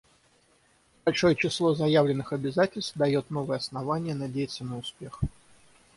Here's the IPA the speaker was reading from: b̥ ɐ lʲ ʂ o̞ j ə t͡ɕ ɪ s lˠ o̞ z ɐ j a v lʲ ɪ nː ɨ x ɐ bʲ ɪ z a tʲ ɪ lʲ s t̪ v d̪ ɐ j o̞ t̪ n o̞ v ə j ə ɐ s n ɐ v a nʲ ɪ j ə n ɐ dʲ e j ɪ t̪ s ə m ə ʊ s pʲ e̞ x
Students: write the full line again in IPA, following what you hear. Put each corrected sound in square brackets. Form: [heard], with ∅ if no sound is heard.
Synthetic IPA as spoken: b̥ ɐ lʲ ʂ o̞ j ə t͡ɕ ɪ s lˠ o̞ z ɐ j a v lʲ ɪ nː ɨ x ɐ bʲ ɪ z a tʲ ɪ lʲ s t̪ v d̪ ɐ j o̞ t̪ n o̞ v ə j ə ɐ s n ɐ v a nʲ ɪ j ə n ɐ dʲ e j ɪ t̪ s ə [n] ə ʊ s pʲ e̞ x